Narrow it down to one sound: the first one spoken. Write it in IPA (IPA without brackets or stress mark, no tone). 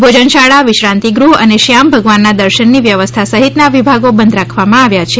bʱ